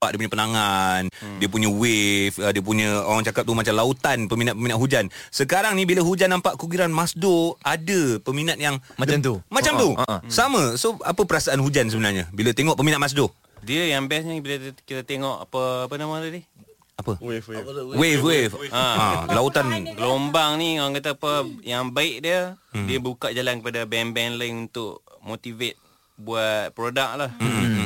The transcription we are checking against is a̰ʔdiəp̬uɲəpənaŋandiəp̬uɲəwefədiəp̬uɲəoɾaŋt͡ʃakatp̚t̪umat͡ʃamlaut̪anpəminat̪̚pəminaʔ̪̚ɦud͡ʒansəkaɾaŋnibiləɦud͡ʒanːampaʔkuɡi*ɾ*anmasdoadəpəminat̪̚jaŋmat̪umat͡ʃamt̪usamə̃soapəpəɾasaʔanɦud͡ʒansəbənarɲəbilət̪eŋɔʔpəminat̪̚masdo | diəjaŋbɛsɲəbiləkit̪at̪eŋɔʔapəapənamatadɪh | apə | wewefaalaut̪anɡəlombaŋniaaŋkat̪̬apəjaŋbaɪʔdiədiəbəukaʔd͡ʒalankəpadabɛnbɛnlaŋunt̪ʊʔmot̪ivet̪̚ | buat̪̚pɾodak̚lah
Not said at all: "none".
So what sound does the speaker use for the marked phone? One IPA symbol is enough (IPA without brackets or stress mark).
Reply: ɾ